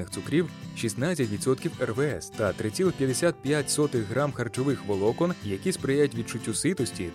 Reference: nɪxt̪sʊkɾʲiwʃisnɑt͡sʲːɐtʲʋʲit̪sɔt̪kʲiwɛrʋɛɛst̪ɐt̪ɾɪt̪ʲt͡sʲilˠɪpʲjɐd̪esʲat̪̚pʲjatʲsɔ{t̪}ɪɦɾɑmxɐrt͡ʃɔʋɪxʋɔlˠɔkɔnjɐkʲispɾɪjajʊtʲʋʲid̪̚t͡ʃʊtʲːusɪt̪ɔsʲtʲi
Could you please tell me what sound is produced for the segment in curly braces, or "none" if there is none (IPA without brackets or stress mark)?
t̪